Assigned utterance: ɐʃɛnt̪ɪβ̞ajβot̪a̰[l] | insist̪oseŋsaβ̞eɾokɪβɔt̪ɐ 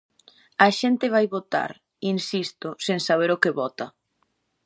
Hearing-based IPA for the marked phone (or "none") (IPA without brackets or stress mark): ɾ